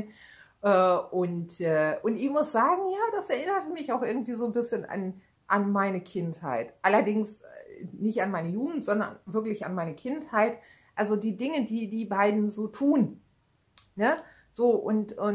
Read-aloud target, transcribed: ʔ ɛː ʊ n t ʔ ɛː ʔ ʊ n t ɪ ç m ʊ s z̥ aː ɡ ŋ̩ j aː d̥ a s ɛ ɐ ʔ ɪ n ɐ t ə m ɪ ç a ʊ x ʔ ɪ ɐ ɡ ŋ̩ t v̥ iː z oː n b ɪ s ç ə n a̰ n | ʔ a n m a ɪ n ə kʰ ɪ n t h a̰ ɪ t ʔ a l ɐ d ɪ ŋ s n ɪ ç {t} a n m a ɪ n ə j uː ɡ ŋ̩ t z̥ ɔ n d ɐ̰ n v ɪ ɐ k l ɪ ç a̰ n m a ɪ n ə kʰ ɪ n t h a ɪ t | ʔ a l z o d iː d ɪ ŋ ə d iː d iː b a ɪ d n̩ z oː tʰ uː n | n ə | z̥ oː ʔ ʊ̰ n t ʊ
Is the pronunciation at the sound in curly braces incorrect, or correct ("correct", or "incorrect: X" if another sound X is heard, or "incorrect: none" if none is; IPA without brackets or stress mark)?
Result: correct